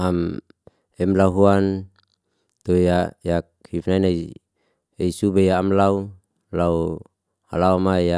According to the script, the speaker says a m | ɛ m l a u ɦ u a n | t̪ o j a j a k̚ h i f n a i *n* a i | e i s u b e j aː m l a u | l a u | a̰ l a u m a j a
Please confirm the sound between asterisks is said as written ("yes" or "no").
yes